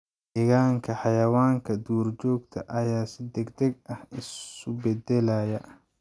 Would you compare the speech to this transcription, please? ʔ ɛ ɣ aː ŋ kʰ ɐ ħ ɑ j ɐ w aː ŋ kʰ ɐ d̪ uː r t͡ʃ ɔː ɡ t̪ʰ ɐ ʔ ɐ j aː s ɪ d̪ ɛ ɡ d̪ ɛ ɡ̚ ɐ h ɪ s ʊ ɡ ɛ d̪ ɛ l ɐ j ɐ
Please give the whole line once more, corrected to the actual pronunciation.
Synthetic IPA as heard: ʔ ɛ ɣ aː ŋ kʰ ɐ ħ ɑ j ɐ w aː ŋ kʰ ɐ d̪ uː r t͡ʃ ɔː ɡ t̪ʰ ɐ ʔ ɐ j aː s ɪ d̪ ɛ ɡ d̪ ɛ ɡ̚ ɐ h ɪ s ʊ b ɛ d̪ ɛ l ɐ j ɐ